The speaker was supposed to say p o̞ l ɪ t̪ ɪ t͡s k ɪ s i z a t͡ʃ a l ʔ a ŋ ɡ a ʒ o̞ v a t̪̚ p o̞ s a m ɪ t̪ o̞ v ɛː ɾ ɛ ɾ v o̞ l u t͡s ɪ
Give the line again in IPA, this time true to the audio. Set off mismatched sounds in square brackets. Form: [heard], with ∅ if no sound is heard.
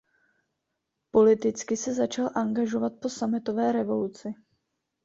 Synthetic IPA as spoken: p o̞ l ɪ t̪ ɪ t͡s k ɪ s [ɛ] z a t͡ʃ a l ʔ a ŋ ɡ a ʒ o̞ v a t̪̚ p o̞ s a m ɪ t̪ o̞ v ɛː ɾ ɛ [∅] v o̞ l u t͡s ɪ